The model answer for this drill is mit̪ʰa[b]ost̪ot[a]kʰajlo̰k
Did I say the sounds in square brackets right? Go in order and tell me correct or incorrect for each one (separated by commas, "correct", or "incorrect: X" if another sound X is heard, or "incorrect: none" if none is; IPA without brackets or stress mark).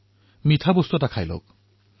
correct, correct